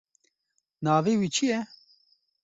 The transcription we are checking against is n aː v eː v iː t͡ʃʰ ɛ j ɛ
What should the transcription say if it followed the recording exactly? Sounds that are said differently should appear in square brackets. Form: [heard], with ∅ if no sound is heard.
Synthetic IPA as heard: n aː v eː [w] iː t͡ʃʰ [i] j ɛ